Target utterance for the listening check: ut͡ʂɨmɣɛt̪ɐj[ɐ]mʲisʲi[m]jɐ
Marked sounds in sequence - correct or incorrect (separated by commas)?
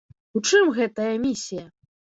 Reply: correct, incorrect